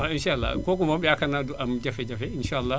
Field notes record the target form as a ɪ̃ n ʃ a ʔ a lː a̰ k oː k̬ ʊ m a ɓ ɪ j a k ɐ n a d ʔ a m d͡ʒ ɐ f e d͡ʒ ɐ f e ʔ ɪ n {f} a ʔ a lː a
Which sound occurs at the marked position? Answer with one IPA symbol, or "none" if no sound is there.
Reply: ʃ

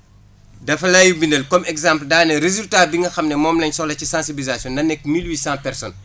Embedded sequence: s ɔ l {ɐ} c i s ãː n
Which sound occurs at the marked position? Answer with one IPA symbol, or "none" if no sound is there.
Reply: ɐ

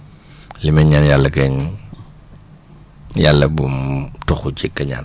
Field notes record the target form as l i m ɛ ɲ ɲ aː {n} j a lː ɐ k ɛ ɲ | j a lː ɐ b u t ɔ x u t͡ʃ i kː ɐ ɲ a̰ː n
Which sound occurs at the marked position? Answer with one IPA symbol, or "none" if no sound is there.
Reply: n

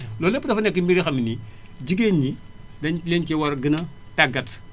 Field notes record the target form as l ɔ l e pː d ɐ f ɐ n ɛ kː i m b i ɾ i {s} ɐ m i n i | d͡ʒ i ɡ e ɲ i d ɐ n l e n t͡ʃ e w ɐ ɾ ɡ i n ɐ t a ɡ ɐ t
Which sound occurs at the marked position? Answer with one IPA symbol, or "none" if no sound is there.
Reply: x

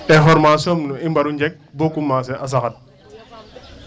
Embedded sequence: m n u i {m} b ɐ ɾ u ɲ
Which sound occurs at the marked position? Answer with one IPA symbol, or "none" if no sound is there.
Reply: m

